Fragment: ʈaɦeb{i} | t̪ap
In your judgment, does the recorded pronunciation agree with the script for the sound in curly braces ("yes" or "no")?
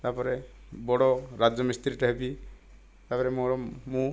yes